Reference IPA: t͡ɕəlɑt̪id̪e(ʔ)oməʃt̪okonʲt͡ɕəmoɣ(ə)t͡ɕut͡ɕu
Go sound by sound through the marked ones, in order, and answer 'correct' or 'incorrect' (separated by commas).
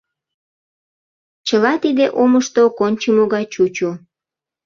correct, incorrect